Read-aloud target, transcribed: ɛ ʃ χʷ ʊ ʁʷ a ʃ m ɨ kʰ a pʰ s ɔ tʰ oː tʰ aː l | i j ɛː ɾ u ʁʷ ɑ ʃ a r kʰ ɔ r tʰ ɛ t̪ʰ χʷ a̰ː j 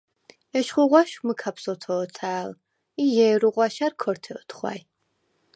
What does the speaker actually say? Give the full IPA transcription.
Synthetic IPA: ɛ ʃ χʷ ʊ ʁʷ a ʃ m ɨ kʰ a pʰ s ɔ tʰ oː tʰ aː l | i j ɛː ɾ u ʁʷ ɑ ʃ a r kʰ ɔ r tʰ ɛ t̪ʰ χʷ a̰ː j